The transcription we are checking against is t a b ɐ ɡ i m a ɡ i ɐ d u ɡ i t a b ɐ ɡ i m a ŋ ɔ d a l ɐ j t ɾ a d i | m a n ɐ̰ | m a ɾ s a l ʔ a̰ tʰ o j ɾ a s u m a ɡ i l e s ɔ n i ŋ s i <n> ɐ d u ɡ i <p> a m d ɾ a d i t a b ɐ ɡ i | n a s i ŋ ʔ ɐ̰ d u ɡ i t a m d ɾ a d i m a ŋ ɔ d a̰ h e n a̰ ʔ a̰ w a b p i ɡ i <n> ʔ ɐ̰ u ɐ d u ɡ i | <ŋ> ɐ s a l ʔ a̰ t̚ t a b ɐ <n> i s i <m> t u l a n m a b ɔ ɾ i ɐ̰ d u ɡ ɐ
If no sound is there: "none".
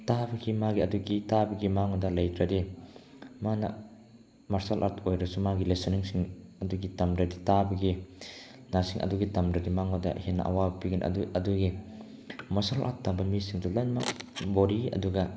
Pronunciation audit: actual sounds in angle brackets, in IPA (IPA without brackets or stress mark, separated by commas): ŋ, t, n, m, m, ŋ